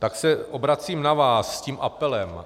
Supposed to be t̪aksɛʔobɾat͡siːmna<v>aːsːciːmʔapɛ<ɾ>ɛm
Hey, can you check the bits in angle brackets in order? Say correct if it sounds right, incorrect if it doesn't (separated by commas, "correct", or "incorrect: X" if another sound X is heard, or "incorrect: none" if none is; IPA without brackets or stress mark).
correct, incorrect: l